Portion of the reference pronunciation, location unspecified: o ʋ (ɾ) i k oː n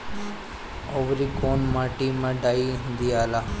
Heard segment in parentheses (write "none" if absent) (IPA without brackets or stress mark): ɾ